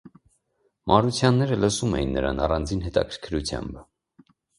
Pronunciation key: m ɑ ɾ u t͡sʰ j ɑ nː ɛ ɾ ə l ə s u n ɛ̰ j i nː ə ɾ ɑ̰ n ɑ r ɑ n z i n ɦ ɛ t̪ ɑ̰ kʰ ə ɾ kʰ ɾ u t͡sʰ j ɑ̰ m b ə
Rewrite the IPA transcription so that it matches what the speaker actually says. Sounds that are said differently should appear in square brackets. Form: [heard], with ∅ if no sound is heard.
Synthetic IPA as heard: m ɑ ɾ u t͡sʰ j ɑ nː ɛ ɾ ə l ə s u [m] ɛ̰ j i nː ə ɾ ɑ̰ n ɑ r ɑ n [d͡z] i n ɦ ɛ t̪ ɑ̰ kʰ ə ɾ kʰ ɾ u t͡sʰ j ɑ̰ m b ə